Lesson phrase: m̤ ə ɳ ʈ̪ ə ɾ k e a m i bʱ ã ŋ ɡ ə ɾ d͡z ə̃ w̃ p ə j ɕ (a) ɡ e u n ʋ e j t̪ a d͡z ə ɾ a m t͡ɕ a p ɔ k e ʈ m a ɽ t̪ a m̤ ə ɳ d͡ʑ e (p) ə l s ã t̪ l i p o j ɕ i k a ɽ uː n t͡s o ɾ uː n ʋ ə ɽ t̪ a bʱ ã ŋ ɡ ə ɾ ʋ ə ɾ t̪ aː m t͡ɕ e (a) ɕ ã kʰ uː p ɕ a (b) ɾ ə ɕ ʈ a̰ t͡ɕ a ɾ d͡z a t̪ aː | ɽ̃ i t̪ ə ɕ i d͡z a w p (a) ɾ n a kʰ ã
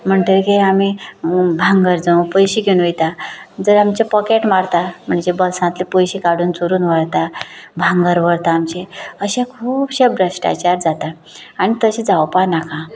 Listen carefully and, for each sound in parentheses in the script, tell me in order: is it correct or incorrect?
incorrect: i, incorrect: b, incorrect: ə, correct, correct

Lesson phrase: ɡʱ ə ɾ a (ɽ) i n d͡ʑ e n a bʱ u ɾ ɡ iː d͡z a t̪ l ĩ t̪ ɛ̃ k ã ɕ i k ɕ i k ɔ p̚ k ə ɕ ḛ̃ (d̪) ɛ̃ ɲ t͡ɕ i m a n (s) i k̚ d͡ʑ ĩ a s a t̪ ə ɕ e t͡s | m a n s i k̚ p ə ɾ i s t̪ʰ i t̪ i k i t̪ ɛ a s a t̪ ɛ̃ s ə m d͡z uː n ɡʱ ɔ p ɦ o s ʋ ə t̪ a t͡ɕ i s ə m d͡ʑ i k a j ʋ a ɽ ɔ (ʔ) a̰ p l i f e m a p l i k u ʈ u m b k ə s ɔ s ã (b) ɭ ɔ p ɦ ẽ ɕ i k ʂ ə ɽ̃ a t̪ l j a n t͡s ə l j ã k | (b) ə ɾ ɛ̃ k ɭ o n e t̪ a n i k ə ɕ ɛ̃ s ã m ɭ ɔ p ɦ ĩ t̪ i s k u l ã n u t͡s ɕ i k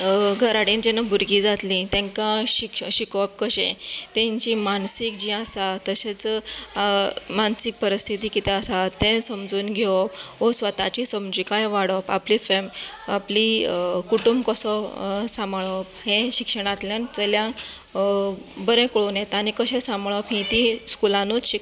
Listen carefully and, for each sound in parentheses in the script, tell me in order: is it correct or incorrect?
correct, incorrect: t̪, correct, incorrect: p, incorrect: m, correct

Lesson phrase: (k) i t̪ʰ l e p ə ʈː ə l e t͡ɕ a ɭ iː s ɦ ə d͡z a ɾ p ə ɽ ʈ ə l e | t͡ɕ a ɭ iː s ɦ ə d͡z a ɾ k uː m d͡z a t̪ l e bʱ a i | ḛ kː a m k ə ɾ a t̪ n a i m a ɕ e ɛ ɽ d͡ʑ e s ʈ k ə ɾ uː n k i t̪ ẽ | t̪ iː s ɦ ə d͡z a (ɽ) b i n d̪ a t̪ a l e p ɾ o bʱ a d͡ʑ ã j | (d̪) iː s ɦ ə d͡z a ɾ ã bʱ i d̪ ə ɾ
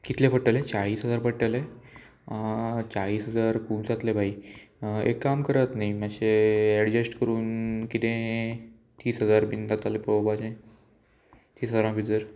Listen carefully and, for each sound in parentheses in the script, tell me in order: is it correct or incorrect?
correct, incorrect: ɾ, incorrect: t̪

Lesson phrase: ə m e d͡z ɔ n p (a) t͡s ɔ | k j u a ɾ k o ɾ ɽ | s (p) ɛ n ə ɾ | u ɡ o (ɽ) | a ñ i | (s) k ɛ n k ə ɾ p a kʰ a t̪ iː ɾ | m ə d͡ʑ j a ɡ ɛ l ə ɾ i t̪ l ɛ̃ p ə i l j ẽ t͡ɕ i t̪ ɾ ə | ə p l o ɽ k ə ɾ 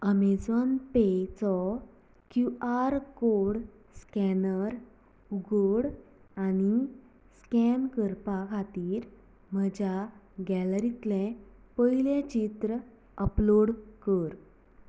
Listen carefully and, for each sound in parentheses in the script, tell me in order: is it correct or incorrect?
incorrect: e, incorrect: k, correct, correct

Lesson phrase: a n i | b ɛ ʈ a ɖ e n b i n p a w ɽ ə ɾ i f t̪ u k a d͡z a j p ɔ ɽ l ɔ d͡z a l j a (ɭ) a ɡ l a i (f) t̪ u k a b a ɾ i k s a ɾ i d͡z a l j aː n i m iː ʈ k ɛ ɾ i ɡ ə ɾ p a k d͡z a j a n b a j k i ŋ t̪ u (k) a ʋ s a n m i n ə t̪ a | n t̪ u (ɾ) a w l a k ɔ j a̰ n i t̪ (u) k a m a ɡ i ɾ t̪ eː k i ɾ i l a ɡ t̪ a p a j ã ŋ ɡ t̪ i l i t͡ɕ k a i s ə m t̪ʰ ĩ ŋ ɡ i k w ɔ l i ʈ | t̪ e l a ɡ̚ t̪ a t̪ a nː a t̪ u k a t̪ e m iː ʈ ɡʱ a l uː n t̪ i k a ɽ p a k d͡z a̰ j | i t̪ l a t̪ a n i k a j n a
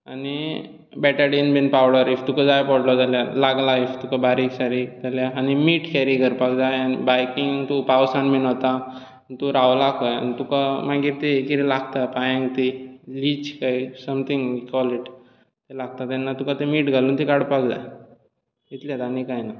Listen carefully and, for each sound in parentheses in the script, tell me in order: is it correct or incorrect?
incorrect: l, correct, incorrect: p, correct, correct

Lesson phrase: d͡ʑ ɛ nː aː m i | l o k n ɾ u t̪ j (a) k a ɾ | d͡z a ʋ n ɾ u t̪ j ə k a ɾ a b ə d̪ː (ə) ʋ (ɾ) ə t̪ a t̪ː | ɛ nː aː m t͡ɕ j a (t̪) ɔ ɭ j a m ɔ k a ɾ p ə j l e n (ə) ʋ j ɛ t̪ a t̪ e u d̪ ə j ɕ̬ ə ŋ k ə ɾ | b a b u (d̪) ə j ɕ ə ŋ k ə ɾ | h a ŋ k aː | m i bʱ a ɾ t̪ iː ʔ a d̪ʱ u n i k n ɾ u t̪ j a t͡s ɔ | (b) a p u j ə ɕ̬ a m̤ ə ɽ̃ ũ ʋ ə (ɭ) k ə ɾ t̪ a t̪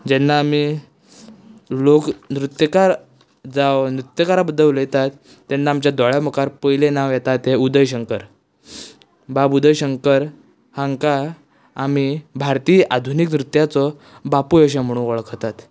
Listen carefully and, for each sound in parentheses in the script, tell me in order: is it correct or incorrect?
incorrect: ə, correct, incorrect: l, incorrect: d̪, incorrect: a, correct, correct, correct

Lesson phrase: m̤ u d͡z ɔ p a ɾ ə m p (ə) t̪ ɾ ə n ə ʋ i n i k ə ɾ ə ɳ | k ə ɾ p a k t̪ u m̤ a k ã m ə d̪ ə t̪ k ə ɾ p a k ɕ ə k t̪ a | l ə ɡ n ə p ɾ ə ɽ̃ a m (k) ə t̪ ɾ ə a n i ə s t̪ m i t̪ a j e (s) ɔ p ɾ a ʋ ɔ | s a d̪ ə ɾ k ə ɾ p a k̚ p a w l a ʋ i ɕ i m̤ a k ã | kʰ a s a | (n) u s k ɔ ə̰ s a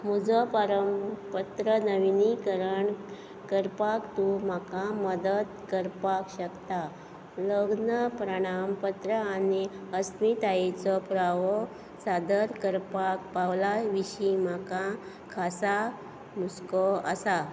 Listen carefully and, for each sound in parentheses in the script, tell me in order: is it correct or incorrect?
correct, incorrect: p, incorrect: t͡s, incorrect: m

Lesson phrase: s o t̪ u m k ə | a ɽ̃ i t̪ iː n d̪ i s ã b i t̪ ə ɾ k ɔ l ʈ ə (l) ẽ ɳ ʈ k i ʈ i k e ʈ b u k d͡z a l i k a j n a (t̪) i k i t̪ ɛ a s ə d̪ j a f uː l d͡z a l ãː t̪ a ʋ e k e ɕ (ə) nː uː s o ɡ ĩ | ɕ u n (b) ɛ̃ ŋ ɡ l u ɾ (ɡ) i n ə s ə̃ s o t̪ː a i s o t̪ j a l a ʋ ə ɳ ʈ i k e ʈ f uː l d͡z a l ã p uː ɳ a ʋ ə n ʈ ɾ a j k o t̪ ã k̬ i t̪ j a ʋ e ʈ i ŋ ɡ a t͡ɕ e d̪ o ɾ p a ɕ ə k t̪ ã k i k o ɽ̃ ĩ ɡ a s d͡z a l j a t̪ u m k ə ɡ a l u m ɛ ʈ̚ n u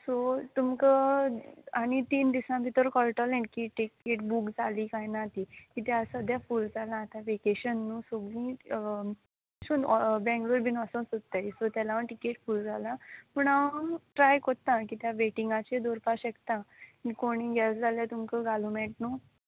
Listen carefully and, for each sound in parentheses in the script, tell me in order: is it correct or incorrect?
correct, correct, correct, correct, incorrect: b

